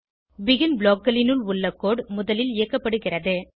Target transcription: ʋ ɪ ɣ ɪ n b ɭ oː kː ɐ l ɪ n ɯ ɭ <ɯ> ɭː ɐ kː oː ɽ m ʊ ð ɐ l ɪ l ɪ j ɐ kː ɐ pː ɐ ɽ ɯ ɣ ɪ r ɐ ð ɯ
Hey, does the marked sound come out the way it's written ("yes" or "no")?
no